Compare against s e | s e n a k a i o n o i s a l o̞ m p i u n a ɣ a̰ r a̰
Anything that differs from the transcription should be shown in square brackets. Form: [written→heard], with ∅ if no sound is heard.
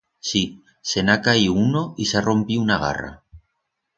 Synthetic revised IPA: s [e→i] | s e n a k a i [o→u] n o i s a [l→r] o̞ m p i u n a ɣ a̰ r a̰